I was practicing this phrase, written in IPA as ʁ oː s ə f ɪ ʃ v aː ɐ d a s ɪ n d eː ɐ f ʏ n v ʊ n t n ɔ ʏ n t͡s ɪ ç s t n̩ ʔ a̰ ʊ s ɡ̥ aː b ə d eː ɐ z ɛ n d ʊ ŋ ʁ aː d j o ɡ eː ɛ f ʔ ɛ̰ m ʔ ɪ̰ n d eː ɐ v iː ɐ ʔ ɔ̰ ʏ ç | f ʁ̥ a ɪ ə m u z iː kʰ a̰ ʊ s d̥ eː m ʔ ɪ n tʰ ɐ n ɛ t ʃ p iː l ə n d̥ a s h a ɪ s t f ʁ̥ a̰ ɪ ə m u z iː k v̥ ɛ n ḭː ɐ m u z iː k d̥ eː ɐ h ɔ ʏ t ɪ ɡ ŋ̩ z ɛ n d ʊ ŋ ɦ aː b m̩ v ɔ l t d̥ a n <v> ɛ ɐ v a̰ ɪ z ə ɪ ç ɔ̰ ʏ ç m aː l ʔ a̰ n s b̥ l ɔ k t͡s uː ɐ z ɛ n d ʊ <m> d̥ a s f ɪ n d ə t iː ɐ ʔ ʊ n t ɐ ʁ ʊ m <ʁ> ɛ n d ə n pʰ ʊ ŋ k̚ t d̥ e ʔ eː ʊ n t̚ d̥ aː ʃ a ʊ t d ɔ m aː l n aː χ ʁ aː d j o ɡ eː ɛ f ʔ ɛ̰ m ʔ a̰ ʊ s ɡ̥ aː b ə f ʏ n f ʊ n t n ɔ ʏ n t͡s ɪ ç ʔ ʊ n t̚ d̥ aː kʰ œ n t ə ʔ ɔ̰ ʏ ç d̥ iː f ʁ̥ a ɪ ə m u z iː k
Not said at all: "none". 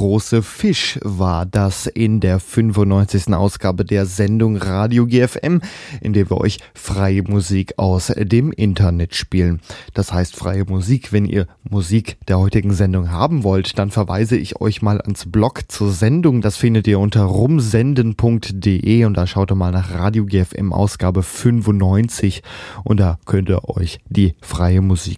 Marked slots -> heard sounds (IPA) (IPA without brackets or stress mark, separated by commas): f, ŋ, z